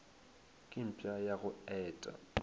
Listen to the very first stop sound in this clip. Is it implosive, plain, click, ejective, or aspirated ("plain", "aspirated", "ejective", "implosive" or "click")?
ejective